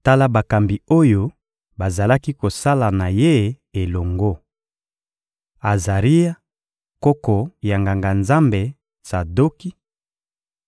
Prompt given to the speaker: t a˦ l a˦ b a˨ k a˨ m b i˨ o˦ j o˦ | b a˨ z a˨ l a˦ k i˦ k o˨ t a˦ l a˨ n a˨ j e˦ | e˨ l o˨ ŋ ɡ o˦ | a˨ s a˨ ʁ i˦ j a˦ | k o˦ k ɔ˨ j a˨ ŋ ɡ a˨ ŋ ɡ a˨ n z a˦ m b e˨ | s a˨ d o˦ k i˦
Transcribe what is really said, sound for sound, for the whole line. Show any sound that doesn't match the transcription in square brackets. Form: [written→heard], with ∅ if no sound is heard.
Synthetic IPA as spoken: t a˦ l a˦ b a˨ k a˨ m b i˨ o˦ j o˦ | b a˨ z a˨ l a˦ k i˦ k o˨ [t→s] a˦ l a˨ n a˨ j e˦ | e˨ l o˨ ŋ ɡ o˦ | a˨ [s→z] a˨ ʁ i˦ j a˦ | k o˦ k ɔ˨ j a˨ ŋ ɡ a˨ ŋ ɡ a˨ n z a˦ m b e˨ | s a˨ d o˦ k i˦